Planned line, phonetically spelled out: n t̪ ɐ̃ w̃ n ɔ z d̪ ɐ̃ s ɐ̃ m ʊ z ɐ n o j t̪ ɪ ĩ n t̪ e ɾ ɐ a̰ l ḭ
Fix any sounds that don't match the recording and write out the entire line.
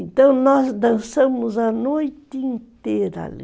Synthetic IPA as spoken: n t̪ ɐ̃ w̃ n ɔ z d̪ ɐ̃ s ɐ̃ m ʊ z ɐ n o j t̪ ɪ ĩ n t̪ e ɾ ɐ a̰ l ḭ